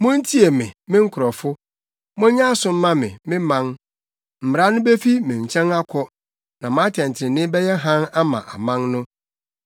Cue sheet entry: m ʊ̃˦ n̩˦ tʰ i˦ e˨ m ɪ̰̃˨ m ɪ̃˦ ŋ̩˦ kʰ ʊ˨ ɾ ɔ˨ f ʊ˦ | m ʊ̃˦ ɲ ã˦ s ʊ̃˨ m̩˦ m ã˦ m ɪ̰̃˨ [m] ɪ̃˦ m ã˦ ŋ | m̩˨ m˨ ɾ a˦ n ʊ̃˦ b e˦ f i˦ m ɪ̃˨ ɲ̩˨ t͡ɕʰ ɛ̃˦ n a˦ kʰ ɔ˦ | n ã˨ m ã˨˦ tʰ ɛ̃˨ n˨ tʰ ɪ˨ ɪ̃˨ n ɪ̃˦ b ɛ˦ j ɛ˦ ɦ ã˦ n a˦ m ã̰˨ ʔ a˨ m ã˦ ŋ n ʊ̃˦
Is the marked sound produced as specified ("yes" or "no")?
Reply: yes